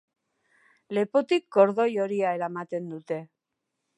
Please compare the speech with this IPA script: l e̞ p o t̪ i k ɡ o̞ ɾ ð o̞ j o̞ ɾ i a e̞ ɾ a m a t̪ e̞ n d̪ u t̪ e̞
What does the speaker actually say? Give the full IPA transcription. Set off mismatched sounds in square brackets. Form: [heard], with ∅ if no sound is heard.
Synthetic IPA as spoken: l e̞ p o t̪ i k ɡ o̞ ɾ ð o̞ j o̞ ɾ i a e̞ ɾ a m a t̪ e̞ n d̪ u t̪ e̞